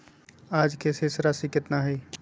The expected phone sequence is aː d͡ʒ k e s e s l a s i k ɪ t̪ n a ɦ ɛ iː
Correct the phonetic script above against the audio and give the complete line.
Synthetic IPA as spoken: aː d͡ʒ k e s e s ɾ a s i k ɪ t̪ n a ɦ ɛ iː